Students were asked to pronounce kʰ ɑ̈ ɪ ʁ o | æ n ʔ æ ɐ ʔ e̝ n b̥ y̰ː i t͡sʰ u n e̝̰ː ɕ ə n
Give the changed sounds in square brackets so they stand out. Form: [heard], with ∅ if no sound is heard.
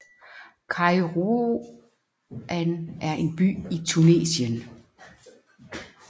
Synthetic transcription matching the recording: kʰ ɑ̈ ɪ ʁ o | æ n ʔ æ ɐ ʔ e̝ n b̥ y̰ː i t͡sʰ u n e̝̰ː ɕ ə n